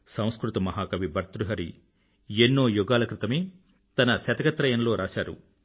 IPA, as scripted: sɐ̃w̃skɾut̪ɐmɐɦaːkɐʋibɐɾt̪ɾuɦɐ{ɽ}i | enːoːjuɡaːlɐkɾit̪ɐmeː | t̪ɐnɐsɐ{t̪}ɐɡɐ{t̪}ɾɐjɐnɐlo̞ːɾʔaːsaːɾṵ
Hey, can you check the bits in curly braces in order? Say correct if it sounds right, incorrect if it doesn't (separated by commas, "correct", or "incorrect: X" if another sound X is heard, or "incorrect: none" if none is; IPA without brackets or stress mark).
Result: incorrect: ɾ, correct, correct